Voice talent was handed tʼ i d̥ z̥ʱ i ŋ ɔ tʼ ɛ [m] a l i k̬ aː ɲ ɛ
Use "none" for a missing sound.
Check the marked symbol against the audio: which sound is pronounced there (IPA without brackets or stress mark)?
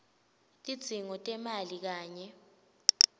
m